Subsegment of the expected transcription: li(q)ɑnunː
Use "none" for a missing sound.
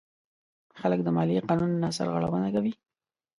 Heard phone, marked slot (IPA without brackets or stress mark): q